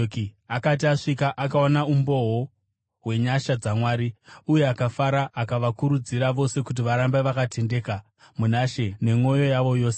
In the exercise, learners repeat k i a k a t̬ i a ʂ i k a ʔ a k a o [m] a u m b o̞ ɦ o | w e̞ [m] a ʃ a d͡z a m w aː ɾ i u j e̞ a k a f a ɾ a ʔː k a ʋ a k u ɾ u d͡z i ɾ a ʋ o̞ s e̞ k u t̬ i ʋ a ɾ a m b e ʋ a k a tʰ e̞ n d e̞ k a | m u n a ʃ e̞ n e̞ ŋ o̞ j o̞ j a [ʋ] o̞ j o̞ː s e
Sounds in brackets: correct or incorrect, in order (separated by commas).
incorrect, incorrect, correct